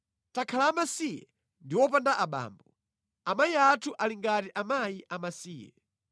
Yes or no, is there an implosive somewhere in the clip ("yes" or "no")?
yes